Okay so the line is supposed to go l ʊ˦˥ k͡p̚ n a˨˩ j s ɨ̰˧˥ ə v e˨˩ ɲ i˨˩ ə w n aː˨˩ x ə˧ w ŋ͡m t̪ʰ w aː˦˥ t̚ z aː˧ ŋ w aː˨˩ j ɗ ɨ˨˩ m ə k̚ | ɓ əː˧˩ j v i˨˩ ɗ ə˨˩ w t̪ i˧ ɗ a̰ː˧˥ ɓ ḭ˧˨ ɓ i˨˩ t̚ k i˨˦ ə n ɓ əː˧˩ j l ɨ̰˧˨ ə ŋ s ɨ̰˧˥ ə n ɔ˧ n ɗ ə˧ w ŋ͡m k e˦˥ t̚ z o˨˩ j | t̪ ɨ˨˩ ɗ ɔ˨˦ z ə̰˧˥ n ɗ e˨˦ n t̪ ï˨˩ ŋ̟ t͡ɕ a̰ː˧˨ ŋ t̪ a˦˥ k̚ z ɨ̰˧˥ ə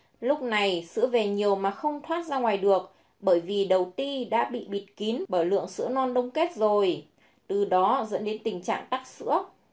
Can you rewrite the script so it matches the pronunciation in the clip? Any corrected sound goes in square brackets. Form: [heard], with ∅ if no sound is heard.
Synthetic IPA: l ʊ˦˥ k͡p̚ n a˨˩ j s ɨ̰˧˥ ə v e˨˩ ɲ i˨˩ ə w [m] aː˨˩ x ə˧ w ŋ͡m t̪ʰ w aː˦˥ t̚ z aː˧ ŋ w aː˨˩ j ɗ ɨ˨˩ [∅] ə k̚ | ɓ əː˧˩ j v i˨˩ ɗ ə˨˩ w t̪ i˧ ɗ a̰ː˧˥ ɓ ḭ˧˨ ɓ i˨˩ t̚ k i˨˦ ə n ɓ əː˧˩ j l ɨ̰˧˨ ə ŋ s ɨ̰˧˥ ə n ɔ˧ n ɗ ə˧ w ŋ͡m k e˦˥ t̚ z o˨˩ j | t̪ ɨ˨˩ ɗ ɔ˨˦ z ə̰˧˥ n ɗ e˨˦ n t̪ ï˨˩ ŋ̟ t͡ɕ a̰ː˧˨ ŋ t̪ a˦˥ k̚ [s] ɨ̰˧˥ ə